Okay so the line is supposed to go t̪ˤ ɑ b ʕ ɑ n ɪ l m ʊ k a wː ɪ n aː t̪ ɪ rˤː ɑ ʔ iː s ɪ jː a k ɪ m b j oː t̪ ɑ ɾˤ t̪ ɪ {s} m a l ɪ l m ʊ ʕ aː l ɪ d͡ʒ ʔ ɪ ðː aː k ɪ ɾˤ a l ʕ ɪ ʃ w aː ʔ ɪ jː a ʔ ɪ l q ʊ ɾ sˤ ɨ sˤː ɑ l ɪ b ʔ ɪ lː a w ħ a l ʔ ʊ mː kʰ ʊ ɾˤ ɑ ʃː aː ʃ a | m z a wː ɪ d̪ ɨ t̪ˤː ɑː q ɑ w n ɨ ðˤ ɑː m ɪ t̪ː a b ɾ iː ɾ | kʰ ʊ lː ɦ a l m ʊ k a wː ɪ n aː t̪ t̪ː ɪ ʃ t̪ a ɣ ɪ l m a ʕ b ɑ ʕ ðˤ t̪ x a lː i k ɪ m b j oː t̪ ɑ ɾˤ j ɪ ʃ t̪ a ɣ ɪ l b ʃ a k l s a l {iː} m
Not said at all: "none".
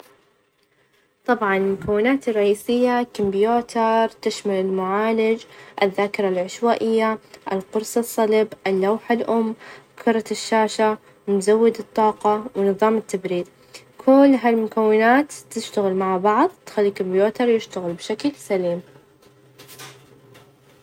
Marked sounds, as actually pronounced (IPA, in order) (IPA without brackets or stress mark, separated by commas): ʃ, iː